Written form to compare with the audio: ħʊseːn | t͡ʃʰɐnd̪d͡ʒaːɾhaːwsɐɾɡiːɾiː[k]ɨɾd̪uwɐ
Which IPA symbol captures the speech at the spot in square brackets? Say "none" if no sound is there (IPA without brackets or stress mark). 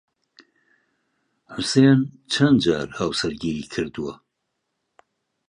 kʰ